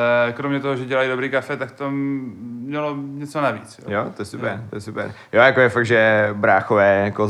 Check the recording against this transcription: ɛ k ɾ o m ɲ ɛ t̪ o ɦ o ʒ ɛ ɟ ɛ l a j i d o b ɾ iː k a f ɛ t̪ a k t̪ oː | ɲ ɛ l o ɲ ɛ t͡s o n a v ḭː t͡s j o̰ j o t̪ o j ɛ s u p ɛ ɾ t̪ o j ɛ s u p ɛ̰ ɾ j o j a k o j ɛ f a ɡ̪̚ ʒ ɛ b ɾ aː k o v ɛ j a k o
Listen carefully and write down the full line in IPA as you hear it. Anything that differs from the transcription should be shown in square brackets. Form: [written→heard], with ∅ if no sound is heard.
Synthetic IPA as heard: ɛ k ɾ o m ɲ ɛ t̪ o ɦ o ʒ ɛ ɟ ɛ l a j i d o b ɾ iː k a f ɛ t̪ a k t̪ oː | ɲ ɛ l o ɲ ɛ t͡s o n a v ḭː t͡s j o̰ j o t̪ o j ɛ s u p ɛ ɾ t̪ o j ɛ s u p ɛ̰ ɾ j o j a k o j ɛ f a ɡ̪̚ ʒ ɛ b ɾ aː [k→x] o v [ɛ→ɛː] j a k o